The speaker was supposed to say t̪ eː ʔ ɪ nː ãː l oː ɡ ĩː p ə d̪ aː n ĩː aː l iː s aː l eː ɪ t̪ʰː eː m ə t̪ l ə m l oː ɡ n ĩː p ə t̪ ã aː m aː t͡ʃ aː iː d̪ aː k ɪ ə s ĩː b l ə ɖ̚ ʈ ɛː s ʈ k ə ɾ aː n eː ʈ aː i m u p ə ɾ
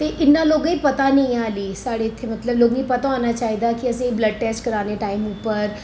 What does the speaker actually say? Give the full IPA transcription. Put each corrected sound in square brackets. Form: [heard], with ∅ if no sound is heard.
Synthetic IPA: t̪ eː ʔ ɪ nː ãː l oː ɡ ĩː p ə [t̪] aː n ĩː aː l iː s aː [ɽ] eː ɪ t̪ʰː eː m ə t̪ l ə [b] l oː ɡ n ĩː p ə t̪ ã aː [n] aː t͡ʃ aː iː d̪ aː k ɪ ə s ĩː b l ə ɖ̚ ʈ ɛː s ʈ k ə ɾ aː n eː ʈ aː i m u p ə ɾ